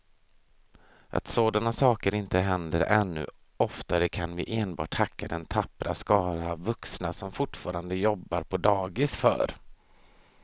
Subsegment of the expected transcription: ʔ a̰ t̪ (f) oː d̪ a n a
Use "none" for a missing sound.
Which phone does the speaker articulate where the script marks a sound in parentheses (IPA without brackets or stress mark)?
s